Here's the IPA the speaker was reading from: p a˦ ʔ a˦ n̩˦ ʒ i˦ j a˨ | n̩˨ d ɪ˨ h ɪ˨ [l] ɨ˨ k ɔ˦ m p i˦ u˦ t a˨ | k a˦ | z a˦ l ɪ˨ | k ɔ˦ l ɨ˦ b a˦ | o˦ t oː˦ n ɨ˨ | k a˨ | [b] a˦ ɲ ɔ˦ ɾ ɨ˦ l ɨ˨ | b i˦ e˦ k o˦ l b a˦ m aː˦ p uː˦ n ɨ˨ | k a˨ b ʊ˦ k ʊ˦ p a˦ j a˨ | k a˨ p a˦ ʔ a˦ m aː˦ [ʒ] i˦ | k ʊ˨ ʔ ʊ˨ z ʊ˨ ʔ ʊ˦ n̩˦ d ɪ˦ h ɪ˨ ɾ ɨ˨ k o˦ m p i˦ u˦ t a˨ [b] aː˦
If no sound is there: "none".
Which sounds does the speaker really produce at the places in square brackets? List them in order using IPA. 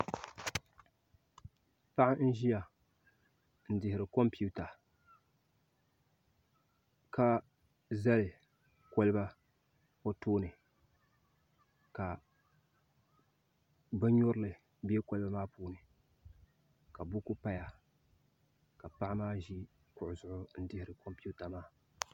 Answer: ɾ, b, ʒ, m

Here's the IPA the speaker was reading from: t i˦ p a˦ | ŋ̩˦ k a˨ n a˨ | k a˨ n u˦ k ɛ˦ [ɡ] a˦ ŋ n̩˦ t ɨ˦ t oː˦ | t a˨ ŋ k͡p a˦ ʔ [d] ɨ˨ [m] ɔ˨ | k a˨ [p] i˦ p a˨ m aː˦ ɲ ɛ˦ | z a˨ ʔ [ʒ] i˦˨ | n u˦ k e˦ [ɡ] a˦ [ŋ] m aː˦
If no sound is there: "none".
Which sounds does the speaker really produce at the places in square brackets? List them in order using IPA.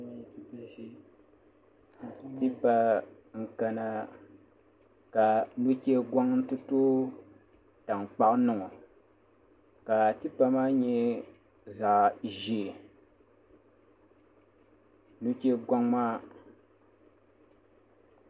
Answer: ɡ, n, ŋ, t, ʒ, ɡ, ŋ

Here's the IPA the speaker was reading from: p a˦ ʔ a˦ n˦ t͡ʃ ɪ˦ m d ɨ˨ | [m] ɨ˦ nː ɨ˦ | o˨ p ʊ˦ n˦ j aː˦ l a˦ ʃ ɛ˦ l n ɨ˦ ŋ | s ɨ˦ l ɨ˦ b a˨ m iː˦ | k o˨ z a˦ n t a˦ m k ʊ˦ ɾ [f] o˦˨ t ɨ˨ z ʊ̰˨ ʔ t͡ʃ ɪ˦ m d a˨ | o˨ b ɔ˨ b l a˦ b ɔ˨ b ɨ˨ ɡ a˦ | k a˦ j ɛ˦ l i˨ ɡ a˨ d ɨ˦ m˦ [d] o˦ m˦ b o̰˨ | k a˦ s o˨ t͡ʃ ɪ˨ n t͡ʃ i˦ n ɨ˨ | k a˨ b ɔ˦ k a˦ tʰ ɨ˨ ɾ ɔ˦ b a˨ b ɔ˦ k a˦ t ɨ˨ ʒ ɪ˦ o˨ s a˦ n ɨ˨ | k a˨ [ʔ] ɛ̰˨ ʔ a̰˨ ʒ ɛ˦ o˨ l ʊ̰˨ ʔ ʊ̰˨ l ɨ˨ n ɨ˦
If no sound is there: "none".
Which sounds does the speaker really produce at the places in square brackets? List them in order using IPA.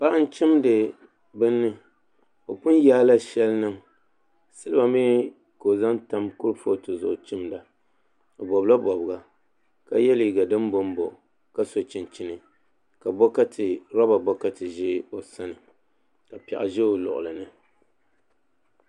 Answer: b, f, b, p

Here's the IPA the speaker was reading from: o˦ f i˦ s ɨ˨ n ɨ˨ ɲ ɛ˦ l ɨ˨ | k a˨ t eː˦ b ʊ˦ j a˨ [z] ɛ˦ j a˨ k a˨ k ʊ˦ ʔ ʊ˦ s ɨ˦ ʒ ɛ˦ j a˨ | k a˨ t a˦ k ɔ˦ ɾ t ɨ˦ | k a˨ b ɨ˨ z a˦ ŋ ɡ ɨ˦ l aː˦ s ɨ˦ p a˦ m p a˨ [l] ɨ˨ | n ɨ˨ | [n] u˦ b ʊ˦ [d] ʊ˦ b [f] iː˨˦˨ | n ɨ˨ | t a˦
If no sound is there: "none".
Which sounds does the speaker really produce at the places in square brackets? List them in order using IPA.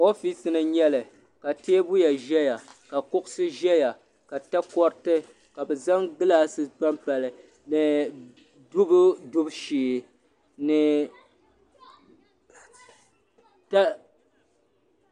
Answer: ʒ, l, d, d, ʃ

